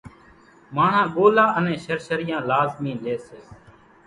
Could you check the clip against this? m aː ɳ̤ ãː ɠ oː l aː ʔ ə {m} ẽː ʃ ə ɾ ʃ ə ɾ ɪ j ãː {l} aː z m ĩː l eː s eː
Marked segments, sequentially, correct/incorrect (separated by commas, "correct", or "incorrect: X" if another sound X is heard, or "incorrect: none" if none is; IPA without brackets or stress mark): incorrect: n, correct